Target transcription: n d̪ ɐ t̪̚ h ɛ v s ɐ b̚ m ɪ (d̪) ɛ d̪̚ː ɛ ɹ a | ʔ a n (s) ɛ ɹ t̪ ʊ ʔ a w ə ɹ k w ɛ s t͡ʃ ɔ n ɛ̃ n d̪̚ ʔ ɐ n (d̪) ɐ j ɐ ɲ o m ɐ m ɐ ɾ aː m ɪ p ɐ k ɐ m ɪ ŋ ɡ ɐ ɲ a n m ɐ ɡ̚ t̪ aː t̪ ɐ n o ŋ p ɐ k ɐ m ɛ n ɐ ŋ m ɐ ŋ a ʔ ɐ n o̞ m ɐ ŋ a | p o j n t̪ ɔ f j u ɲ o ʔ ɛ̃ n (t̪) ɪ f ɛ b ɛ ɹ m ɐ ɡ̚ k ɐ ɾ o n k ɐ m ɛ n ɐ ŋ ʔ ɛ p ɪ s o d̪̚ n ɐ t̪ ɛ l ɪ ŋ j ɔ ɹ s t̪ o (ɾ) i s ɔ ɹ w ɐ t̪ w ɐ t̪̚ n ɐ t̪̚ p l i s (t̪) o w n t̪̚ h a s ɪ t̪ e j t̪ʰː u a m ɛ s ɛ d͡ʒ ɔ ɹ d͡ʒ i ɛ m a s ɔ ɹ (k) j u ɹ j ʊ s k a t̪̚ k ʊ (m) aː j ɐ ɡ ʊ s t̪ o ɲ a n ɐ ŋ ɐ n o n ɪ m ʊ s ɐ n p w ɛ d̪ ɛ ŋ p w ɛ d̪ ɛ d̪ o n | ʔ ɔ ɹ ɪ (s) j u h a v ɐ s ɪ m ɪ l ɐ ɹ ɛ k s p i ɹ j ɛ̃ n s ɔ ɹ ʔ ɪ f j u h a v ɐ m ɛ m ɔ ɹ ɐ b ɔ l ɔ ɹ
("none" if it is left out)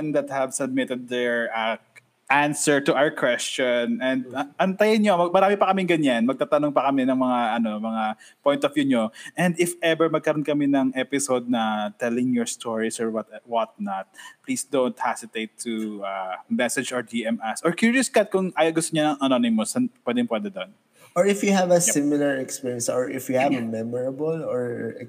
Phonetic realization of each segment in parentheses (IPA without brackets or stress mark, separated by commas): t̪, s, t̪, d̪, ɹ, d̪, k, ŋ, f